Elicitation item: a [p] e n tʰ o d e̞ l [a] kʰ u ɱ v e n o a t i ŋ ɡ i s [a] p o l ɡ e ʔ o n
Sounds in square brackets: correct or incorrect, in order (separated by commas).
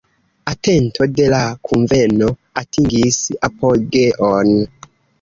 incorrect, correct, correct